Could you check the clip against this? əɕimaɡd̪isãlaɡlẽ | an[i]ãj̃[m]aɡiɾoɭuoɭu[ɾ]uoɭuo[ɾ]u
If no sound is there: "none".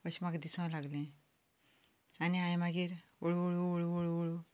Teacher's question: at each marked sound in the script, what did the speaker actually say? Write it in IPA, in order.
i, m, ɭ, ɭ

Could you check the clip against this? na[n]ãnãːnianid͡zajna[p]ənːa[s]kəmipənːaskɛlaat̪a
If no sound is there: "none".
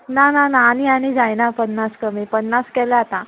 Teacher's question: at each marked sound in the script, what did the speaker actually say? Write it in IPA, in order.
n, p, s

